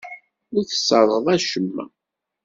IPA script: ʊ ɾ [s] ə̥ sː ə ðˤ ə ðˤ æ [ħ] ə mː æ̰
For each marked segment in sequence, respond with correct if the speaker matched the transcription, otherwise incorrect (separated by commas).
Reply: incorrect, incorrect